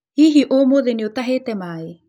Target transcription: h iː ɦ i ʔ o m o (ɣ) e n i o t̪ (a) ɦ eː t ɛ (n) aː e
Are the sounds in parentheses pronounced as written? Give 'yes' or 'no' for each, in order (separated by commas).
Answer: no, yes, no